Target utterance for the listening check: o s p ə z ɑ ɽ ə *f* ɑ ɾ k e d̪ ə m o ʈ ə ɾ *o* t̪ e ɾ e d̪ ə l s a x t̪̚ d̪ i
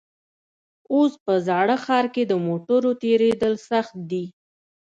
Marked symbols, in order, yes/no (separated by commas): no, yes